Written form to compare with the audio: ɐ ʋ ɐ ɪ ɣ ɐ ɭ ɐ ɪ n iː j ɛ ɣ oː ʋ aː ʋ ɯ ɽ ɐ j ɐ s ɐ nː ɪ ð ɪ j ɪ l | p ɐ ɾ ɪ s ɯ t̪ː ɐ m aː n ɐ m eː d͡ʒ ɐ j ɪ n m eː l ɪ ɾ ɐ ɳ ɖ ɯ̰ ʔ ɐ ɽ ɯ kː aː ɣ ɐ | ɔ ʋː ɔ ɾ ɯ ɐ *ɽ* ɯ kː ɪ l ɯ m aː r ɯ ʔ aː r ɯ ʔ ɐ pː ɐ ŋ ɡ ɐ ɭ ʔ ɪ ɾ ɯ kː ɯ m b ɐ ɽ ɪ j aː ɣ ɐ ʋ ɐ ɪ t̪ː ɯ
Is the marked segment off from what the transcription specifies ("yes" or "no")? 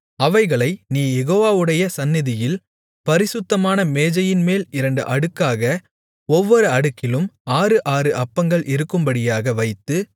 no